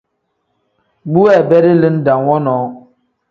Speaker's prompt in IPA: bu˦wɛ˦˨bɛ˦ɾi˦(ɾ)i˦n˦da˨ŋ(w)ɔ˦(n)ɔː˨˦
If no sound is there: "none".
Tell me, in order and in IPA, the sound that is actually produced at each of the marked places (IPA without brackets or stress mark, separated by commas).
l, w, n